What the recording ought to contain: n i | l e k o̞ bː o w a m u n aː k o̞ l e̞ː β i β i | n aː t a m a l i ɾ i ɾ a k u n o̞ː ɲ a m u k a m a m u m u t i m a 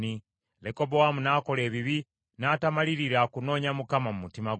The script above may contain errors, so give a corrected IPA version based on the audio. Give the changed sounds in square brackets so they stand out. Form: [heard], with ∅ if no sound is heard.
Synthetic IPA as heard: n i | l e k o̞ [b] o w a m u n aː k o̞ l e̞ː β i β i | n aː t a m a l i ɾ i ɾ a k u n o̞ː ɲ a m u k a m a m u m u t i m a